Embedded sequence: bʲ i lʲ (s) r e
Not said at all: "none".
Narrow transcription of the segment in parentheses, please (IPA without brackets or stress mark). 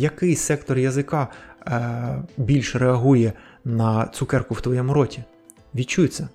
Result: ʃ